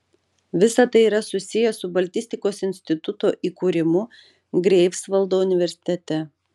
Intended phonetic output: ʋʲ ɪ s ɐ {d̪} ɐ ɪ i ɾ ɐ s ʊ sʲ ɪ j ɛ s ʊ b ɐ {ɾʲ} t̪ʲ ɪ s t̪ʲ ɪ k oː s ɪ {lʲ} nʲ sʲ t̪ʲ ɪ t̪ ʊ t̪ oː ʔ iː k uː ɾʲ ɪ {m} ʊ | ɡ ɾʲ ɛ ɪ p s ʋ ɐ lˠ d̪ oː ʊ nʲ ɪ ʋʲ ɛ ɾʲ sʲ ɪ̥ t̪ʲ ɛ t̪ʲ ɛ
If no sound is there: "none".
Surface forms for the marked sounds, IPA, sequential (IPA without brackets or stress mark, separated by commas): t̪, lʲ, none, m